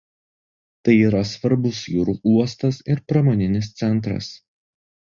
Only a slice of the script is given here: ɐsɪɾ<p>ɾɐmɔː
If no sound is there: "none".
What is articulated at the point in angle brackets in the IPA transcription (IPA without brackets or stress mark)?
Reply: p